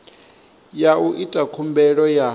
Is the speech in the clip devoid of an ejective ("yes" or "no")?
no